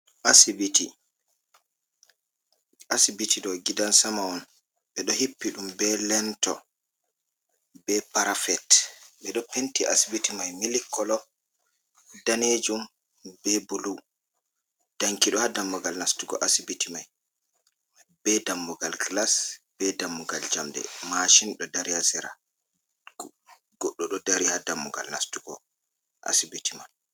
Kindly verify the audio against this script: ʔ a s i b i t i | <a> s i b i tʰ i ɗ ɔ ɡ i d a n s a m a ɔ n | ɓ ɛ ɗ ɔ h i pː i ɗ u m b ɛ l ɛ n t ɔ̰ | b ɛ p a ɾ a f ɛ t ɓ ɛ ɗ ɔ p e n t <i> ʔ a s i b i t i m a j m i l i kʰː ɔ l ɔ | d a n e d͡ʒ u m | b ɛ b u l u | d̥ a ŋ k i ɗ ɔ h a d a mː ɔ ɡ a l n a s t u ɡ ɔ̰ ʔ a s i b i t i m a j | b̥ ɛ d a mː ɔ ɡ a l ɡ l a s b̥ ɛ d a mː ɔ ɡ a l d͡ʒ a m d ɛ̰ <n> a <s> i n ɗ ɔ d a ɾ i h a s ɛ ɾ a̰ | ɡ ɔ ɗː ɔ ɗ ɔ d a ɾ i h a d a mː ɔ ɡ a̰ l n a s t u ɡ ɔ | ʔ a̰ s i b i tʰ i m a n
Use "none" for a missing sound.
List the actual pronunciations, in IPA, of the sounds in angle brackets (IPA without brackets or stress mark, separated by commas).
a, i, m, ʃ